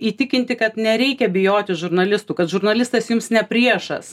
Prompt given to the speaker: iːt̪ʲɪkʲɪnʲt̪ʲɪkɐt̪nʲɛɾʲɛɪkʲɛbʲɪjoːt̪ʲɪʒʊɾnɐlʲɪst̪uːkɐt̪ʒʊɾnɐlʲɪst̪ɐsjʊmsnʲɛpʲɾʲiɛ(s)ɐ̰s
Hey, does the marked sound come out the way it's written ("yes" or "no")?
no